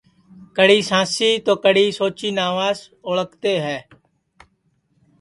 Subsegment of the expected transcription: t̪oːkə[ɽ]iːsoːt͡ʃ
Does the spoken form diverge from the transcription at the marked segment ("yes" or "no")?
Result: no